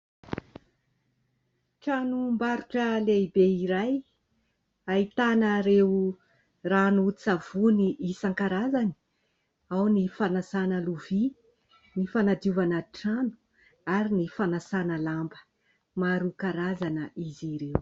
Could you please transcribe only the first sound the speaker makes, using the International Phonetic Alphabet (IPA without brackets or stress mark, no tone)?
ʈ͡ʂ